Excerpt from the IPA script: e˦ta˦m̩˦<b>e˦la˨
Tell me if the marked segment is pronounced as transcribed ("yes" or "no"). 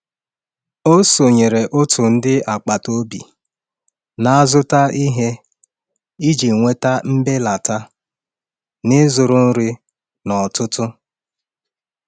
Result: yes